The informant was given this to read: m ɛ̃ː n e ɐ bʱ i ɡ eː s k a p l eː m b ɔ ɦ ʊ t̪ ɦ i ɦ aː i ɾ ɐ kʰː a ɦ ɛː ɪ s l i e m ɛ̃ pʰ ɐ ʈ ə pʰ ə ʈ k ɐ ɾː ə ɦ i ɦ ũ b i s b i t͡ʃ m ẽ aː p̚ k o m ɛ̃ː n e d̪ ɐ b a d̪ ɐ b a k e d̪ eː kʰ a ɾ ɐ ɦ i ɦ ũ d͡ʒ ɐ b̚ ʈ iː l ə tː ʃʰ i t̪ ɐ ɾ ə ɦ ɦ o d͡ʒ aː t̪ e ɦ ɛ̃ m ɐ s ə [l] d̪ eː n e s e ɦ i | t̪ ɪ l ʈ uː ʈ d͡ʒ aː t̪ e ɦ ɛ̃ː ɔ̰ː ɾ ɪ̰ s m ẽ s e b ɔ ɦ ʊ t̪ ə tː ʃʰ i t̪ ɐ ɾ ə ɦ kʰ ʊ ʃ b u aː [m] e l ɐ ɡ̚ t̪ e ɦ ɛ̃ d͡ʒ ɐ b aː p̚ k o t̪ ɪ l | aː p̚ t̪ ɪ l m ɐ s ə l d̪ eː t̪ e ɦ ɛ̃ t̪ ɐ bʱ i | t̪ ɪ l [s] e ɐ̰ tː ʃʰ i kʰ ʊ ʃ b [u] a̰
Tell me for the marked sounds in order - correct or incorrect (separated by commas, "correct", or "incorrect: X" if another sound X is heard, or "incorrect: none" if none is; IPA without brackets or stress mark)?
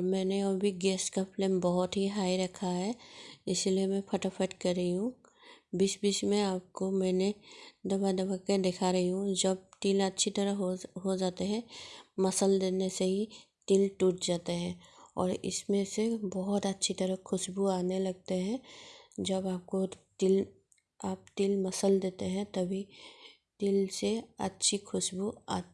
correct, incorrect: n, correct, correct